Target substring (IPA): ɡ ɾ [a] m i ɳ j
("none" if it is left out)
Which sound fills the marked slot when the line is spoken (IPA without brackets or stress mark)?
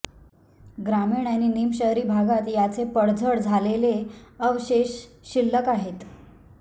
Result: a